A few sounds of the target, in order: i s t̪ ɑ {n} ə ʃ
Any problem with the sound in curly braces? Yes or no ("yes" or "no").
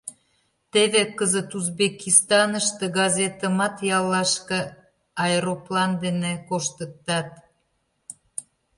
no